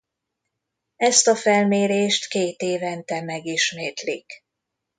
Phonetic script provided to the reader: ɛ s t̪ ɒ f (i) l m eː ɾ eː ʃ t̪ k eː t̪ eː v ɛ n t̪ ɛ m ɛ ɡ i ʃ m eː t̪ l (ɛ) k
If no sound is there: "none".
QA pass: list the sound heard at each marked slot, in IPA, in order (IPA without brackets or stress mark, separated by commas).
ɛ, i